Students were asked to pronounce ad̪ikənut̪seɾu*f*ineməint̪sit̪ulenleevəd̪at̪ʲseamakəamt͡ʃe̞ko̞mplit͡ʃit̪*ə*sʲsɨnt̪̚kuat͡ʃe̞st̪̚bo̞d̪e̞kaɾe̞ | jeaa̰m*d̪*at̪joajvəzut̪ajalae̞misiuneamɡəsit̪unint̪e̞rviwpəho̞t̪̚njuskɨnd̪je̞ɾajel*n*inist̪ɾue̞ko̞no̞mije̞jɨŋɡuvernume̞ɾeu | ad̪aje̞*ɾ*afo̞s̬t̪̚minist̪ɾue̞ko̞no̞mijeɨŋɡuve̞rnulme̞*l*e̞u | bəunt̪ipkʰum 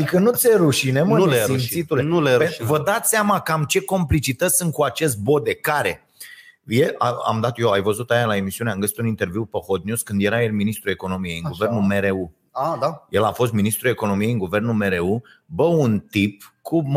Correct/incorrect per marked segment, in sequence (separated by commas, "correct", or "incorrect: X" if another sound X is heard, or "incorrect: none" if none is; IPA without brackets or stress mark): incorrect: ʃ, correct, correct, incorrect: m, incorrect: l, incorrect: ɾ